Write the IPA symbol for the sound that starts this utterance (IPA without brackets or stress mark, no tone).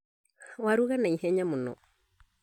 w